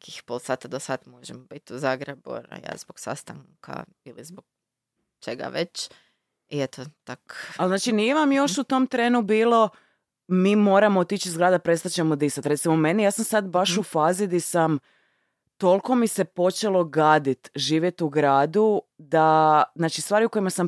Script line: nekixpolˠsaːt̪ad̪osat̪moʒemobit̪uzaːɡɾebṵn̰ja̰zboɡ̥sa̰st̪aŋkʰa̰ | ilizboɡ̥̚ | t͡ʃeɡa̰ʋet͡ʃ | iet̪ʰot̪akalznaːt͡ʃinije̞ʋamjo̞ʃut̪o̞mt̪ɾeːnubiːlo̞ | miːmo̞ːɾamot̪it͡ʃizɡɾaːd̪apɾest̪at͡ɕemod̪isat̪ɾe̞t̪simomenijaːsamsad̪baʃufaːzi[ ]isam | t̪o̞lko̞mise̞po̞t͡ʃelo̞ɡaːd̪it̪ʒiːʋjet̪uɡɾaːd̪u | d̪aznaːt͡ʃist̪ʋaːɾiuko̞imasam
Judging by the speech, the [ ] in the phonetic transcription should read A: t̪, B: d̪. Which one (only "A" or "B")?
B